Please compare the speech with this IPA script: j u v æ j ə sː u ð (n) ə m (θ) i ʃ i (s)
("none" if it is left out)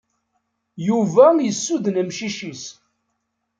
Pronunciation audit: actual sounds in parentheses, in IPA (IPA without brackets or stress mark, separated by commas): n, ʃ, s